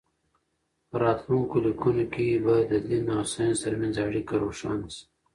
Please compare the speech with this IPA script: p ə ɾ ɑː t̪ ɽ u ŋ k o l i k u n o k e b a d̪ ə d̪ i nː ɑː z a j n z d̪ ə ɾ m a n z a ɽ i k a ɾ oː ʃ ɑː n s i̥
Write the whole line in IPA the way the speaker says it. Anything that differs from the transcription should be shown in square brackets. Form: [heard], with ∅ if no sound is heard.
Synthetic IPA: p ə ɾ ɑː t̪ [l] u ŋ k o l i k u n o k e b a d̪ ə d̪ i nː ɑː [s] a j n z [t̪] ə ɾ m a n z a ɽ i k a ɾ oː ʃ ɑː n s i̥